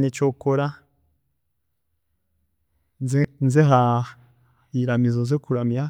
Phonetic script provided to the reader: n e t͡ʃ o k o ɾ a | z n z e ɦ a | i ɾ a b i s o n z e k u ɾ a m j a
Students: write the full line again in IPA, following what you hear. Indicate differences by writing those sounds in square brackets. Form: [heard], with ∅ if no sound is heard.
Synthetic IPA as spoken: n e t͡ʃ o k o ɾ a | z n z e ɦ a | i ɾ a [m] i [z] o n z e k u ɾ a m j a

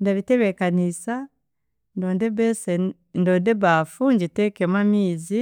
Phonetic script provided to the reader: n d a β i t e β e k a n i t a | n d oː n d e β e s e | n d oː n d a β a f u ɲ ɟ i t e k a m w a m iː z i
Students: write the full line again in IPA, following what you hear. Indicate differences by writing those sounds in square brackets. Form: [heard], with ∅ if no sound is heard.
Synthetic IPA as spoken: n d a β i t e β e k a n i [s] a | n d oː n d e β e s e | n d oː n d [e] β a f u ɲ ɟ i t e k [e] m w a m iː z i

